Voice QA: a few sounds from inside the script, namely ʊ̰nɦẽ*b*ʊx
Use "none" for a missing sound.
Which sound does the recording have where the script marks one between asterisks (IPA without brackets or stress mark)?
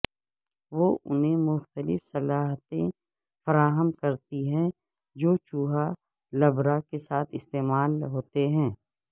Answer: m